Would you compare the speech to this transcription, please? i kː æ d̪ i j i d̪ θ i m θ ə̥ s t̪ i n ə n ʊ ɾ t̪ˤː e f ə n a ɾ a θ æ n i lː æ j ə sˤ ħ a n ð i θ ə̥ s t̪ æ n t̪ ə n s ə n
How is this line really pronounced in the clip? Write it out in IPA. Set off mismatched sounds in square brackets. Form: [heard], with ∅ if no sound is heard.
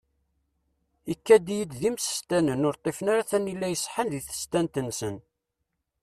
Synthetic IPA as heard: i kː æ d̪ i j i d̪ [ð] i m [s] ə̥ s t̪ [æ] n ə n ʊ ɾ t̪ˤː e f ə n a ɾ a θ æ n i lː æ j ə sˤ ħ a n ð i θ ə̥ s t̪ æ n t̪ ə n s ə n